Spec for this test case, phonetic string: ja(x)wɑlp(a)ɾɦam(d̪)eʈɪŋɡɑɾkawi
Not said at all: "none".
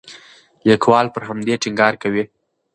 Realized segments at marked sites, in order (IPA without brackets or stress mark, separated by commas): k, ə, d̪